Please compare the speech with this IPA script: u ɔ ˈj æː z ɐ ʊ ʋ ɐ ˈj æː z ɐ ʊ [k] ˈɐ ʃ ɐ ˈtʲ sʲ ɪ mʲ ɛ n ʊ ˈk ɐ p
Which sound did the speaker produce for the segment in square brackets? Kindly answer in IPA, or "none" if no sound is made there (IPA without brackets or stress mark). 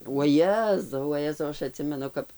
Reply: none